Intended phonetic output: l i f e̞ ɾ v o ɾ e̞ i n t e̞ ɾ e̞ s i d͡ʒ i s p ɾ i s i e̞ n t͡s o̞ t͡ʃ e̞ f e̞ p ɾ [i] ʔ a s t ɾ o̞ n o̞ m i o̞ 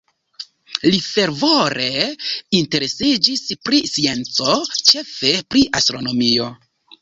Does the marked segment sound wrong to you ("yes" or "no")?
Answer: no